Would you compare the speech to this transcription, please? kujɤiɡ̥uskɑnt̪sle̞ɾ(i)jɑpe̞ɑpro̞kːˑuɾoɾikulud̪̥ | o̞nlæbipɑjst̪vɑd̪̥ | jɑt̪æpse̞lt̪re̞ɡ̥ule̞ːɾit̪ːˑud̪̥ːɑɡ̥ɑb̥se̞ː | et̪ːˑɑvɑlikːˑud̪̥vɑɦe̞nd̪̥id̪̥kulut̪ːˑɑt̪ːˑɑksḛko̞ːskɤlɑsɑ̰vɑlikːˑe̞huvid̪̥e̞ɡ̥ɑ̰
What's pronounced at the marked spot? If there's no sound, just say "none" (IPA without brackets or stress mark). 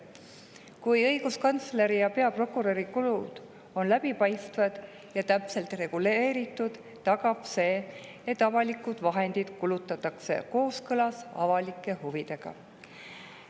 i